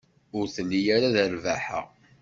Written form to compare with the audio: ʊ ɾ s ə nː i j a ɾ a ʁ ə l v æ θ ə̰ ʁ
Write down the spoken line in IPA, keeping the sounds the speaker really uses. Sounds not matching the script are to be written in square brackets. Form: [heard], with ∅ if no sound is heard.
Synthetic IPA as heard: ʊ ɾ [θ] ə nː i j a ɾ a [ð] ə [ɾ] v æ [ħ] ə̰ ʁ